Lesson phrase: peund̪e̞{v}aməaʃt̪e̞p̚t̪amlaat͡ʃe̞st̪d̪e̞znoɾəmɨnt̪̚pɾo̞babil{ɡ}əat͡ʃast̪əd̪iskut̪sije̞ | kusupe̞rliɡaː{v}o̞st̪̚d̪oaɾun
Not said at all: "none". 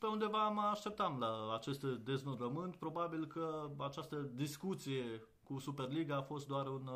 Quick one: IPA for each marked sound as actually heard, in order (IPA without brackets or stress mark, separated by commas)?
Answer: v, k, f